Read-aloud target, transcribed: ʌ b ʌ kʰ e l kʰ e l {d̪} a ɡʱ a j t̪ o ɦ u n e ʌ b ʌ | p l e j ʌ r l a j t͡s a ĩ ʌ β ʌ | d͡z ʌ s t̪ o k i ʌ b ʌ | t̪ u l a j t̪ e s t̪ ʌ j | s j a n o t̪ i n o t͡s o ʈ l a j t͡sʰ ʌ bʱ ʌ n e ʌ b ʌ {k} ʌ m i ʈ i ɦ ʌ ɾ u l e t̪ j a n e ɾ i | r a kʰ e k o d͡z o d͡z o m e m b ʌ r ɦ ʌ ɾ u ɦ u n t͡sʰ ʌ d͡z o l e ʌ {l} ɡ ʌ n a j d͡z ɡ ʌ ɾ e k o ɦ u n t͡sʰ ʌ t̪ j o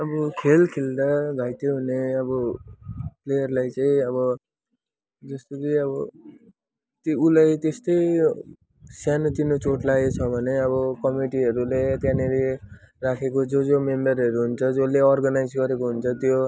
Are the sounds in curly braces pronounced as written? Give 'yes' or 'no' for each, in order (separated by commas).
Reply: yes, yes, no